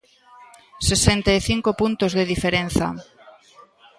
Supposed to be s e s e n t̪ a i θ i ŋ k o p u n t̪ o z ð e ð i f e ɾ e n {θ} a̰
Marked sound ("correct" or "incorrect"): correct